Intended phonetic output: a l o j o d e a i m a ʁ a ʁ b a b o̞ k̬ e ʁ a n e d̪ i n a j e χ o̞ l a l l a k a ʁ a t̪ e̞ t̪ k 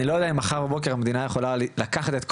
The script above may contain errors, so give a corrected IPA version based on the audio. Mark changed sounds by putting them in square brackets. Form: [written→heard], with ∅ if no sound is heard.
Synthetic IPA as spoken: [a→i] l o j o d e a i m a [ʁ→χ] a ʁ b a b o̞ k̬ e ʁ a [n→m] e d̪ i n a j e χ o̞ l a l l a k a [ʁ→χ] a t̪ e̞ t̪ k